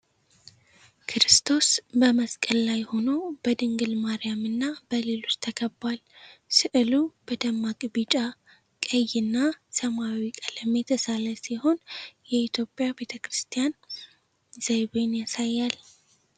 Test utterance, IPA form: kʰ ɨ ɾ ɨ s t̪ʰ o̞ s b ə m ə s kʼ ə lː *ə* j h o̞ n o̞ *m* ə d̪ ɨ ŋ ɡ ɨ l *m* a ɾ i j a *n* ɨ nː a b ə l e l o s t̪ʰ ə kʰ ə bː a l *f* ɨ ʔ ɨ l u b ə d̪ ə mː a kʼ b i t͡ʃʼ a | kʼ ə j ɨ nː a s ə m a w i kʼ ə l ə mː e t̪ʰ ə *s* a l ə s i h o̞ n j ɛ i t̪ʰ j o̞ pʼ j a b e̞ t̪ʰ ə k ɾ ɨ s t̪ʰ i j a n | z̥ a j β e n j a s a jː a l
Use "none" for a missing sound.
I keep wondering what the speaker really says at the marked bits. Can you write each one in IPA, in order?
a, b, m, m, s, s

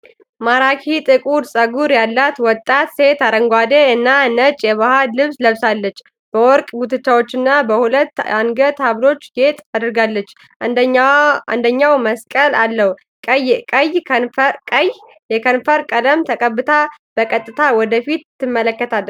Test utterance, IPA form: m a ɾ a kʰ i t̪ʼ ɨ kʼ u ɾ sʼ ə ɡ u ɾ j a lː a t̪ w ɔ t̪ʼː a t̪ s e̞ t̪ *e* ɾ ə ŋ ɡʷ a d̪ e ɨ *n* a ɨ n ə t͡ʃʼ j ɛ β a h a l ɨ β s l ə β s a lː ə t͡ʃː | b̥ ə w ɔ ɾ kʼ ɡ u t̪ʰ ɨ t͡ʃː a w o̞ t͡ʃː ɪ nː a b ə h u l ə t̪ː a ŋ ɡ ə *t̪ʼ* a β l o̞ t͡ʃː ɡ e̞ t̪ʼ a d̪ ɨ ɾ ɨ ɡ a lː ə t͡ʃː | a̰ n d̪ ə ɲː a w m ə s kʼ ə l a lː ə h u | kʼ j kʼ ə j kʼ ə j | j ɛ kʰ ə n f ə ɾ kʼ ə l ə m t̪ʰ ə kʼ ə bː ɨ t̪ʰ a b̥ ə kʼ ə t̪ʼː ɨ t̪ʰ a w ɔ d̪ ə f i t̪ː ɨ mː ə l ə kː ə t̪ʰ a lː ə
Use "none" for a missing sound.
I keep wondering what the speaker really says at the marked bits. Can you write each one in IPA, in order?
a, nː, t̪

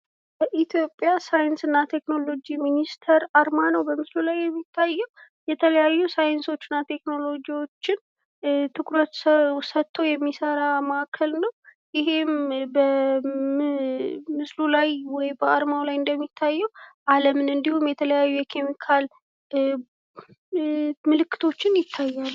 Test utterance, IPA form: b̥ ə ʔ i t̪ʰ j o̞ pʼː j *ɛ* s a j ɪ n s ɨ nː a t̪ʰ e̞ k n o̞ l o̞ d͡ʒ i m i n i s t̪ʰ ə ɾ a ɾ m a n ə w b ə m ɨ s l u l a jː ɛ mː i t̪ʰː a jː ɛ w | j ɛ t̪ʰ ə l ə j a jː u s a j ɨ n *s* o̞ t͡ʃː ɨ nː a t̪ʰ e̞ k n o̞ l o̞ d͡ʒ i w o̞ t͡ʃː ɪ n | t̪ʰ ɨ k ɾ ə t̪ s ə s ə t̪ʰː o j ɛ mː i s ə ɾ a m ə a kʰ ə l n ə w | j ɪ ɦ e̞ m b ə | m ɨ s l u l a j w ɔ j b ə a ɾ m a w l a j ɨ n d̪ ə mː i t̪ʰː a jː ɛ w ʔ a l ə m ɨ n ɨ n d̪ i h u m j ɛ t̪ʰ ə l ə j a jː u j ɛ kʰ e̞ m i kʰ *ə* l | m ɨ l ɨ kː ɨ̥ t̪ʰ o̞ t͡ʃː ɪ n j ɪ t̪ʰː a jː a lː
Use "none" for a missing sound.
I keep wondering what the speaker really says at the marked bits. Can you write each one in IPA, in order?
a, s, a

